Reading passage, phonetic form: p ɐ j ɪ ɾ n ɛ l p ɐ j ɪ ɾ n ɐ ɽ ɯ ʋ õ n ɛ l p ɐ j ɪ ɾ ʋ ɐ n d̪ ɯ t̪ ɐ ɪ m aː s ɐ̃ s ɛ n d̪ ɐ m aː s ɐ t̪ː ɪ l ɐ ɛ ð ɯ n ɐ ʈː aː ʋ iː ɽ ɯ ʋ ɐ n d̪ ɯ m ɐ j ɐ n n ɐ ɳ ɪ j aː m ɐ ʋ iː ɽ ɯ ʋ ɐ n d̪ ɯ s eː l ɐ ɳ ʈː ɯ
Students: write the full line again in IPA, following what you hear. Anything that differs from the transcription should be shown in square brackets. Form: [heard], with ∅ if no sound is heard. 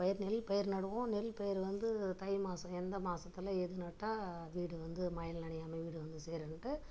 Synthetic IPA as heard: p ɐ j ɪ ɾ n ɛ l p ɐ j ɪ ɾ n ɐ ɽ ɯ ʋ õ n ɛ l p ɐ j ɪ ɾ ʋ ɐ n d̪ ɯ t̪ ɐ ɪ m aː s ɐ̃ [∅] ɛ n d̪ ɐ m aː s ɐ t̪ː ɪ l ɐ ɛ ð ɯ n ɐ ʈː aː ʋ iː ɽ ɯ ʋ ɐ n d̪ ɯ m ɐ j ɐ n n ɐ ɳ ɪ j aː m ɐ ʋ iː ɽ ɯ ʋ ɐ n d̪ ɯ s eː [ɾ] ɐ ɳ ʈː ɯ